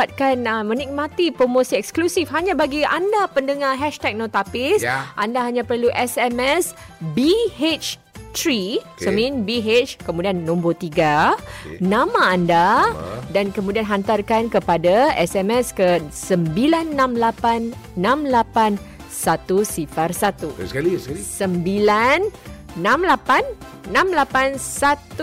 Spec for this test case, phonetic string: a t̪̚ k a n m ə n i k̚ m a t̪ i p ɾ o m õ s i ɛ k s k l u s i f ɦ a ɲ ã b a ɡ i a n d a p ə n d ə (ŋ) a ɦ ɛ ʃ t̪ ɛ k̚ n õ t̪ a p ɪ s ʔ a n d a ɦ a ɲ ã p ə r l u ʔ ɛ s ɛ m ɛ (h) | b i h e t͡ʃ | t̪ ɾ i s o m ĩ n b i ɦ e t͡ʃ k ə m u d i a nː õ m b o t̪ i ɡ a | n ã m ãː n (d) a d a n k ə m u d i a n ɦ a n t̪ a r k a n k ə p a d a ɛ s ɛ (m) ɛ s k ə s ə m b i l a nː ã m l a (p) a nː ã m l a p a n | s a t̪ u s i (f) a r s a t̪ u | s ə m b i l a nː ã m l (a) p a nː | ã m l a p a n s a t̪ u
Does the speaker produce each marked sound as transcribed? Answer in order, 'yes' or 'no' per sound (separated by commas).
yes, no, yes, yes, yes, yes, yes